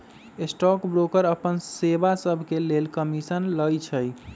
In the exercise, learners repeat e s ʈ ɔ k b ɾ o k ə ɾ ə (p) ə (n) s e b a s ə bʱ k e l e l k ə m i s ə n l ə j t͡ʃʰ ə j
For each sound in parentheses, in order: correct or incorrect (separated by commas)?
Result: correct, correct